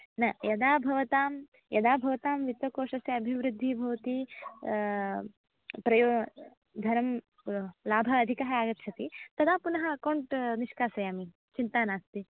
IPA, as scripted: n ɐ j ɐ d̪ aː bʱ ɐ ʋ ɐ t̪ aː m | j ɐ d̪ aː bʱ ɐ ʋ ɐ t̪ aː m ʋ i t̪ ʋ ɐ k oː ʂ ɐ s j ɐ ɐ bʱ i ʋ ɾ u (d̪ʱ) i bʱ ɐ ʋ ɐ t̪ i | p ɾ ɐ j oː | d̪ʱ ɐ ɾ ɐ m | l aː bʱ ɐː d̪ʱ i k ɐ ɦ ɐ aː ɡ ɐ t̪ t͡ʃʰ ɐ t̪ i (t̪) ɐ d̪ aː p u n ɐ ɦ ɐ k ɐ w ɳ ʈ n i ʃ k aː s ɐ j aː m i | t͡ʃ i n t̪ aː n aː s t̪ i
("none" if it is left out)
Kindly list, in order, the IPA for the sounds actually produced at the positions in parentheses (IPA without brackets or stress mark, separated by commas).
d̪ʱː, t̪